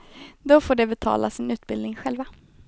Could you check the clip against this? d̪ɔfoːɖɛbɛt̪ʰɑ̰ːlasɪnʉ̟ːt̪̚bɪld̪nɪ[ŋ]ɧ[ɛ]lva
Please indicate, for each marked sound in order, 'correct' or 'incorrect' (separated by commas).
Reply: correct, correct